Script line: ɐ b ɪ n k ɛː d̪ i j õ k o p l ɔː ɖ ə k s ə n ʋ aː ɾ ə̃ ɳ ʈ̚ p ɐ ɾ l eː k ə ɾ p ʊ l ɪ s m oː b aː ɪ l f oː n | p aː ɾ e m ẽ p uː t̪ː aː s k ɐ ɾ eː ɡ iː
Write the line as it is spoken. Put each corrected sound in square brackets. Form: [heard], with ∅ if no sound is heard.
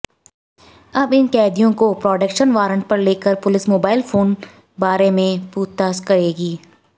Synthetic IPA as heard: ɐ b ɪ n k ɛː d̪ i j õ k o p [ɾ] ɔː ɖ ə k [ʃ] ə n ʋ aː ɾ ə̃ ɳ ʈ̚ p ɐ ɾ l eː k ə ɾ p ʊ l ɪ s m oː b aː ɪ l f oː n | [b] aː ɾ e m ẽ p uː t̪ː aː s k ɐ ɾ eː ɡ iː